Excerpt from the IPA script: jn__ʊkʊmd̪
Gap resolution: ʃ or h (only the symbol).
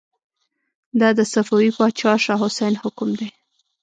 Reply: h